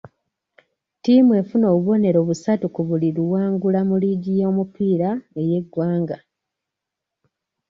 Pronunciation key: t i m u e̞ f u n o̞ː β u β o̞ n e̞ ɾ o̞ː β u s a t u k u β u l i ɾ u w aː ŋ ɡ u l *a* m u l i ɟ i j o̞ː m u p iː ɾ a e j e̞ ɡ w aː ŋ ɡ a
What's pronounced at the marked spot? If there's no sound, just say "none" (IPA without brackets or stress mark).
a